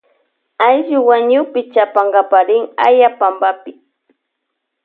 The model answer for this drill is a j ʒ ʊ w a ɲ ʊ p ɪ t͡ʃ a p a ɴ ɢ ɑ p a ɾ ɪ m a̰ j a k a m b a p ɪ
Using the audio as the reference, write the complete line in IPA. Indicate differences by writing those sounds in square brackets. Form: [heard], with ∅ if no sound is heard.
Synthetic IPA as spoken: a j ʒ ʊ w a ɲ ʊ p ɪ t͡ʃ a p a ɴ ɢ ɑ p a ɾ ɪ [ŋ] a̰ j a [p] a m b a p ɪ